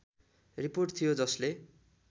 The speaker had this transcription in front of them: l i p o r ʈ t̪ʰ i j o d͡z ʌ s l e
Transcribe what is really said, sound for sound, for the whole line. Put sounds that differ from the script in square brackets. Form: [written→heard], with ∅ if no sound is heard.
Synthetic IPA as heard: [l→r] i p o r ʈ t̪ʰ i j o d͡z ʌ s l e